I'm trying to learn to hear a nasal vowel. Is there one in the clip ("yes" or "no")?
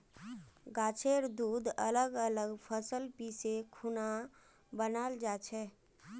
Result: no